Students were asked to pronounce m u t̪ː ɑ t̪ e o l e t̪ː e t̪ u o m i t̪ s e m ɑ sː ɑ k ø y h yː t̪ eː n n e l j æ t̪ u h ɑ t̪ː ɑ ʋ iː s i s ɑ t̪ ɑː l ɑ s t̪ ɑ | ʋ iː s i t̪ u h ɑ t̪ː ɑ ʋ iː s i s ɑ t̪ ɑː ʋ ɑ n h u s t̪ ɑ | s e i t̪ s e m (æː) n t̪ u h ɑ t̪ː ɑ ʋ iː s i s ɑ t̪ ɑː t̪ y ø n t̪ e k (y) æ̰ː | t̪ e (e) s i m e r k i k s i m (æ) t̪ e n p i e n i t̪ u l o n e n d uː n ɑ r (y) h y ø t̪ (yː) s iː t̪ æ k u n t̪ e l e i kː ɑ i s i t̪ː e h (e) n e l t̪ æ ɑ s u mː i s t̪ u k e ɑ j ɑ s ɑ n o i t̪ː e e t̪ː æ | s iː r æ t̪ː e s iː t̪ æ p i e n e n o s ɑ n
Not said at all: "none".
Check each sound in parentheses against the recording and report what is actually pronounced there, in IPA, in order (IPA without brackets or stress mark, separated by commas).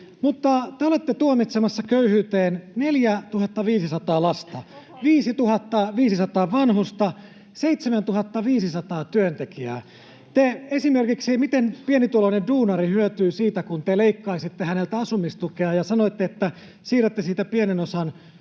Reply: æ, i, e, i, i, yː, æ